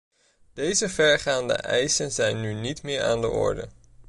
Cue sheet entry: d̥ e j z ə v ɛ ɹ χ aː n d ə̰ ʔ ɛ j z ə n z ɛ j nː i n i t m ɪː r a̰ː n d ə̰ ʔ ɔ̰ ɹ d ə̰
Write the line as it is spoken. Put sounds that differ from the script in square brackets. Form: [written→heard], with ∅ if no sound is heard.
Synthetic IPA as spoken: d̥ e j z ə v ɛ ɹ χ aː n d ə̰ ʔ ɛ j [z→s] ə n z ɛ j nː [i→y] n i t m ɪː [r→ɹ] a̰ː n d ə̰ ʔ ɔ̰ ɹ d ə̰